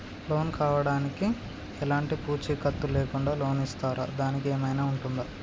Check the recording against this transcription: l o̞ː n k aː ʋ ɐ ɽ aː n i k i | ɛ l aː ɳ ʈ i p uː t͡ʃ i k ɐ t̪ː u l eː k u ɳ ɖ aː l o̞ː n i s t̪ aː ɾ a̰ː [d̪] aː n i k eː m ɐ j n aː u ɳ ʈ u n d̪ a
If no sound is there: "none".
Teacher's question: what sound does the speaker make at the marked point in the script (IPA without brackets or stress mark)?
d̪